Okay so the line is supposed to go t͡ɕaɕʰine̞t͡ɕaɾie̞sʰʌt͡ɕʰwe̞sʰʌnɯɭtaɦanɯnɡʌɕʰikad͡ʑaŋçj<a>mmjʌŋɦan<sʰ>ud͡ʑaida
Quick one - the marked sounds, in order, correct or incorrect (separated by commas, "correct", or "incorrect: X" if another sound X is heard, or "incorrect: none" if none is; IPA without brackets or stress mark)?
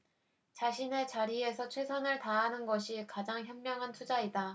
incorrect: ʌ, incorrect: tʰ